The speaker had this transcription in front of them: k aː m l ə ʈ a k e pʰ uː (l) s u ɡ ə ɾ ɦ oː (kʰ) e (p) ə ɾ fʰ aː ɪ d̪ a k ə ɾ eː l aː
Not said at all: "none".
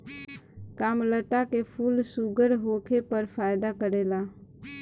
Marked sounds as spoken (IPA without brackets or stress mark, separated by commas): l, kʰ, p